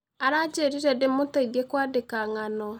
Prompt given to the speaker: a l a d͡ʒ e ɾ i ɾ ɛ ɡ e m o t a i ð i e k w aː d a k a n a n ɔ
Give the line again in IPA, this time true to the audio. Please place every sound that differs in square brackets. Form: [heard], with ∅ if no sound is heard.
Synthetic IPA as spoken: a [ɾ] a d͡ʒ e ɾ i ɾ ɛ [d] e m o t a i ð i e k w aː d [e] k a [ŋ] a n ɔ